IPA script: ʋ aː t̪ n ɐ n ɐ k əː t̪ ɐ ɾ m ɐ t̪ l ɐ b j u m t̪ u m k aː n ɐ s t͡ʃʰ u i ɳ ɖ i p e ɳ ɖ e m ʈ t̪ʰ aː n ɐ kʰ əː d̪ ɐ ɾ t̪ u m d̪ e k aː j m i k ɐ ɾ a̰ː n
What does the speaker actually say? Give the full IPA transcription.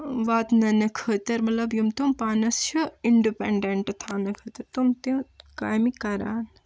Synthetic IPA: ʋ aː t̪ n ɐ n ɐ kʰ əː t̪ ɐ ɾ m ɐ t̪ l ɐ b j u m t̪ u m p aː n ɐ s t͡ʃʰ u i ɳ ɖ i p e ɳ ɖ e ɳ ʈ t̪ʰ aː n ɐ kʰ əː t̪ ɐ ɾ t̪ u m t̪ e k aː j m i k ɐ ɾ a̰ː n